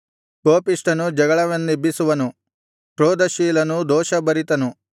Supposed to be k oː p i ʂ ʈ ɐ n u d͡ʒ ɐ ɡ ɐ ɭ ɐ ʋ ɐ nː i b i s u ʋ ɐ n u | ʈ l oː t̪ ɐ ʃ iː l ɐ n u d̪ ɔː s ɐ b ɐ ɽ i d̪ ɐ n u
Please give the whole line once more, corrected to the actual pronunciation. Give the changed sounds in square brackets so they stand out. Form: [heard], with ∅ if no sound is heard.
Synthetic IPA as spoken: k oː p i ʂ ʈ ɐ n u d͡ʒ ɐ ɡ ɐ ɭ ɐ ʋ ɐ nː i b i s u ʋ ɐ n u | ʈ [ɾ] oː [d̪] ɐ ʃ iː l ɐ n u d̪ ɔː [ʃ] ɐ b ɐ [ɾ] i [t̪] ɐ n u